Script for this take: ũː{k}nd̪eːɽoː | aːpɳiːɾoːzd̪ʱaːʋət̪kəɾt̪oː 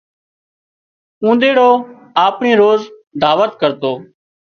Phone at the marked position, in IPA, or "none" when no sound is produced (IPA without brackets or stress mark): none